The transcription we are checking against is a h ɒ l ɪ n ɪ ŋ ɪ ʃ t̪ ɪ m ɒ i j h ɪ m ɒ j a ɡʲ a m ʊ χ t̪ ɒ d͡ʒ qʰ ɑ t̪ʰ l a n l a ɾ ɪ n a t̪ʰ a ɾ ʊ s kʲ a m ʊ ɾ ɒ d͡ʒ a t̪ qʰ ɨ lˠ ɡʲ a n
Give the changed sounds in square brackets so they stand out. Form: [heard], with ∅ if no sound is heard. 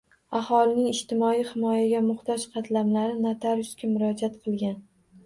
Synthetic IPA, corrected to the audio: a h ɒ l ɪ n ɪ ŋ ɪ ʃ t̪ ɪ m ɒ i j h ɪ m ɒ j a ɡʲ a m ʊ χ t̪ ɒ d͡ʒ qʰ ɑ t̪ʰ l a [m] l a ɾ ɪ n a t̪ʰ a ɾ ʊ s kʲ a m ʊ ɾ ɒ d͡ʒ a t̪ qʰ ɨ lˠ ɡʲ a n